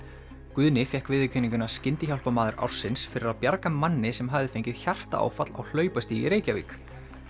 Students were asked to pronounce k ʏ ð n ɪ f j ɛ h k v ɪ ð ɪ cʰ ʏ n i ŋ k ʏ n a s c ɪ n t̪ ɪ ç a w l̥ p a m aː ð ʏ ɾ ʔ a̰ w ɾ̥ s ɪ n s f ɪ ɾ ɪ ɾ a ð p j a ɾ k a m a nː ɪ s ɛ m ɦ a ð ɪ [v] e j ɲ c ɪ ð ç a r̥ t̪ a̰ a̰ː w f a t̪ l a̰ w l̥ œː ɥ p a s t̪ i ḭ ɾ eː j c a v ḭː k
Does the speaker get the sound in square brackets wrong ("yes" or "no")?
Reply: yes